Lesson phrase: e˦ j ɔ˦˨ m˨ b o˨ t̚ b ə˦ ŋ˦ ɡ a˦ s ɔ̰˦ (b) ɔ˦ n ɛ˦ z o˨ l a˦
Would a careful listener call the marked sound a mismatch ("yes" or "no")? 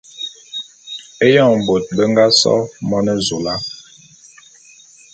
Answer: yes